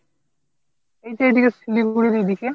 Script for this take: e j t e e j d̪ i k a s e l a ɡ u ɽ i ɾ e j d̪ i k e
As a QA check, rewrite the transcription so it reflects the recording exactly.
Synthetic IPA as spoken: e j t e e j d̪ i k e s i l i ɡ u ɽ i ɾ e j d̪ i k e

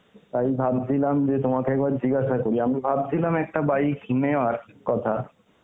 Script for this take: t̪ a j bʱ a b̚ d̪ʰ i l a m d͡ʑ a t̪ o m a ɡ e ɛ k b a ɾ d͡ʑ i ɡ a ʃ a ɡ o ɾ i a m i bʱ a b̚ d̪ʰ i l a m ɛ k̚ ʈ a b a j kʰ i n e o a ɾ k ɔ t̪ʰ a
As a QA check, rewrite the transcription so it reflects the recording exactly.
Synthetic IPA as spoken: t̪ a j bʱ a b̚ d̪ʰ i l a m d͡ʑ e t̪ o m a k e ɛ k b a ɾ d͡ʑ i ɡ a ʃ a k o ɾ i a m i bʱ a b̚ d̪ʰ i l a m ɛ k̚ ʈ a b a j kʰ i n e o a ɾ k ɔ t̪ʰ a

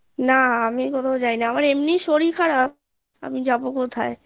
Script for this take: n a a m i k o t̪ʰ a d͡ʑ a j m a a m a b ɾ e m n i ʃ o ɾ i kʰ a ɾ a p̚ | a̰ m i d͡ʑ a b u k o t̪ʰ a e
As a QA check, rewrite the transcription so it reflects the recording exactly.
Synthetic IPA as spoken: n a a m i k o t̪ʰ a d͡ʑ a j n a a m a ɾ e m n i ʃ o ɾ i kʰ a ɾ a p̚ | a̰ m i d͡ʑ a b o k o t̪ʰ a e

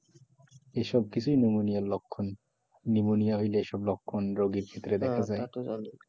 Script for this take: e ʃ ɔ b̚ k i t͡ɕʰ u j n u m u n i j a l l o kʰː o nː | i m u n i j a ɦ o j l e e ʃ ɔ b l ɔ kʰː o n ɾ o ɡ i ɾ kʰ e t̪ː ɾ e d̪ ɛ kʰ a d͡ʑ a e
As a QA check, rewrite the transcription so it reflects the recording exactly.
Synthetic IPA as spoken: e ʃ ɔ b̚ k i t͡ɕʰ u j n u m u n i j a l l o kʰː o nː | i m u n i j a ɦ o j l e e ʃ ɔ b l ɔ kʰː o n ɾ o ɡ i ɾ kʰ e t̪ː ɾ e d̪ ɛ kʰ a d͡ʑ a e

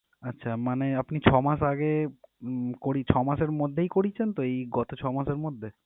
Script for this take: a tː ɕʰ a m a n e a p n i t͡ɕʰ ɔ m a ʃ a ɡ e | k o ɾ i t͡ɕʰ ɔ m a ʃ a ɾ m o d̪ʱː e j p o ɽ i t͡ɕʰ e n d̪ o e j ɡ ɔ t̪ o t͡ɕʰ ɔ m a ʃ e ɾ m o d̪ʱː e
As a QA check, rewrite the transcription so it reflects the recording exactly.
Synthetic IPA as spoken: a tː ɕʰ a m a n e a p n i t͡ɕʰ ɔ m a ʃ a ɡ e | k o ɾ i t͡ɕʰ ɔ m a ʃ e ɾ m o d̪ʱː e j k o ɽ i t͡ɕʰ e n t̪ o e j ɡ ɔ t̪ o t͡ɕʰ ɔ m a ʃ e ɾ m o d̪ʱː e

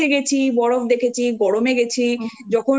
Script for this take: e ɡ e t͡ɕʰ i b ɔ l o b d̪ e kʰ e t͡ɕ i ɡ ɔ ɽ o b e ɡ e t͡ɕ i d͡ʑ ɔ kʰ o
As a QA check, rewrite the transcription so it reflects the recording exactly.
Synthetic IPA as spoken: e ɡ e t͡ɕʰ i b ɔ ɽ o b d̪ e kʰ e t͡ɕʰ i ɡ ɔ ɽ o m e ɡ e t͡ɕʰ i d͡ʑ ɔ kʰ o

